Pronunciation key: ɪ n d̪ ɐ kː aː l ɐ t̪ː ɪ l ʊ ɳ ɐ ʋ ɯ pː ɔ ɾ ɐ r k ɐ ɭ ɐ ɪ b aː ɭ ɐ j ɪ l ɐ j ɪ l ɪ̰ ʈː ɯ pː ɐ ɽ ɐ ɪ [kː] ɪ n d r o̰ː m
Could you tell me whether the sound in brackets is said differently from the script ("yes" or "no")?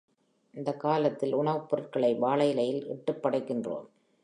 no